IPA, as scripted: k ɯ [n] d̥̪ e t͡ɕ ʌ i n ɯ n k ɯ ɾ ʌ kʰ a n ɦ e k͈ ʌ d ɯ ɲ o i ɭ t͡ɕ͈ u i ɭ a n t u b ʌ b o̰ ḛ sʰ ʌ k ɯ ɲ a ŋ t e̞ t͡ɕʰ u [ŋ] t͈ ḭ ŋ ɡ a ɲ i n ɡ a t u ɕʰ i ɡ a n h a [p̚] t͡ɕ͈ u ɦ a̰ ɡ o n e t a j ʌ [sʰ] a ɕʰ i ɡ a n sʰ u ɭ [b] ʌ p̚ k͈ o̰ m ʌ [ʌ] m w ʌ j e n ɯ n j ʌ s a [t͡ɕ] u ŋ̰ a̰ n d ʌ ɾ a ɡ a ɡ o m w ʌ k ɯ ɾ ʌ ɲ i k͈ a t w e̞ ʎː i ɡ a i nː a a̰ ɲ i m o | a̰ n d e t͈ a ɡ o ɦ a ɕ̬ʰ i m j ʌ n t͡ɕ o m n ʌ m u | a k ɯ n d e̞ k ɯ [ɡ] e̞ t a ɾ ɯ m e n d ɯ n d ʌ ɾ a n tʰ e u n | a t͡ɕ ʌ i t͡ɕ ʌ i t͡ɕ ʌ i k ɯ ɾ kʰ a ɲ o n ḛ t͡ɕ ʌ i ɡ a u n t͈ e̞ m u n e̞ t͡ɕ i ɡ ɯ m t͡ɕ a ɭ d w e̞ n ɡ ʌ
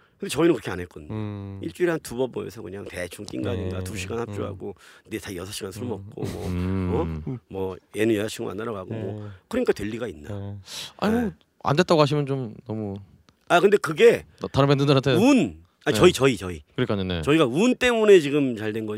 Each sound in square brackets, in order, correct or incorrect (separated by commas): correct, correct, correct, correct, incorrect, correct, incorrect, correct